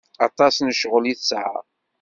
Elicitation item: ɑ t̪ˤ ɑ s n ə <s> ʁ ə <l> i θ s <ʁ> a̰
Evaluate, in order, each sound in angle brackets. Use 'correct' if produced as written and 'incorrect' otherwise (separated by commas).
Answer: incorrect, correct, incorrect